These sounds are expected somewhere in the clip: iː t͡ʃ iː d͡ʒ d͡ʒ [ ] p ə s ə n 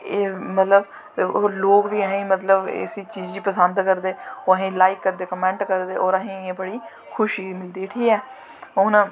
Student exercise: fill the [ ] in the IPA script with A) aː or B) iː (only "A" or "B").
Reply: B